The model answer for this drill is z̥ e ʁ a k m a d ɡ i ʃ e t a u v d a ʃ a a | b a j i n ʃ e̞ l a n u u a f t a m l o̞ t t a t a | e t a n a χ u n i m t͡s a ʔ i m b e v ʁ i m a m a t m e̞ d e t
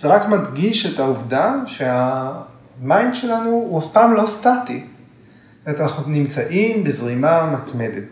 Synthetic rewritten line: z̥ e ʁ a k m a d ɡ i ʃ e t a u v d a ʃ e a | m a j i n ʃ e̞ l a n u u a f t a m l o̞ s t a t i | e t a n a χ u n i m t͡s a ʔ i m b e z ʁ i m a m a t m e̞ d e t